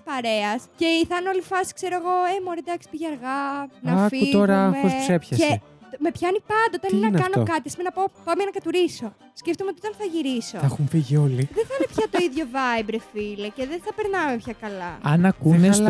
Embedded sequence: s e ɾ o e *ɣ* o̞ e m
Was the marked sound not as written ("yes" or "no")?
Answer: no